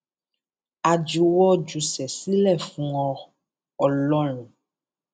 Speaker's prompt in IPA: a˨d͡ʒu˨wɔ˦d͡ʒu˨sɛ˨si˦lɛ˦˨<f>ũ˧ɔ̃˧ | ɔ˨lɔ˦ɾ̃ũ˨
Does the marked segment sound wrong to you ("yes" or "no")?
no